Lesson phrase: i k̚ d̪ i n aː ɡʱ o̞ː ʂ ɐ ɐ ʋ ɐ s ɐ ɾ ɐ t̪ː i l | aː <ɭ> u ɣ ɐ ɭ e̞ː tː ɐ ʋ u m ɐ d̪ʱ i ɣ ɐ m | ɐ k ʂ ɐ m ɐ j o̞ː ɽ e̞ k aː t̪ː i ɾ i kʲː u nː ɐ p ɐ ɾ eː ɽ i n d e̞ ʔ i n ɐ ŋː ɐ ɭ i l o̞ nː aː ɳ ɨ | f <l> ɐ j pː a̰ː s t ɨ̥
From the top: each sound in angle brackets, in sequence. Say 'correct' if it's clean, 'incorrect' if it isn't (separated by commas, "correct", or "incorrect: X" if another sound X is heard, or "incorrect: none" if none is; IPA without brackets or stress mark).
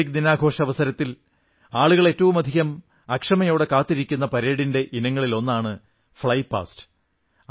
correct, incorrect: ɭ